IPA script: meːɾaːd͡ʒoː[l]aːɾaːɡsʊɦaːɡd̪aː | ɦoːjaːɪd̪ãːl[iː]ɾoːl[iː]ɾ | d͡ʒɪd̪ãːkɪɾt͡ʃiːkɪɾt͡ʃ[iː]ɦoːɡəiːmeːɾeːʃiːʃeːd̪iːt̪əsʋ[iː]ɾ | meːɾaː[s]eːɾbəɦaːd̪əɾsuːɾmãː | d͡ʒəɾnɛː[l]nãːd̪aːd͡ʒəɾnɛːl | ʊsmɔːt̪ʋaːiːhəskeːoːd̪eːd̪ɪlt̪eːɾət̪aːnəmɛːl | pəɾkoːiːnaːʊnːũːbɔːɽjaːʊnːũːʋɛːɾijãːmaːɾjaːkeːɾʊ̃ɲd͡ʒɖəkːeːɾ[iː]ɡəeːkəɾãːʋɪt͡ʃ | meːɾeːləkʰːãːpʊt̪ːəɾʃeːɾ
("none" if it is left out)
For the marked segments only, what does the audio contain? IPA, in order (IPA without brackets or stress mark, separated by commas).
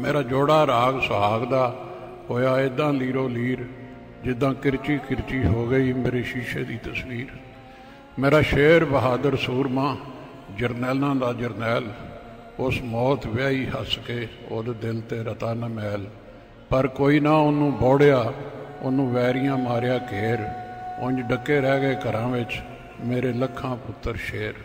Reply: ɽ, iː, iː, iː, iː, ʃ, l, ɛː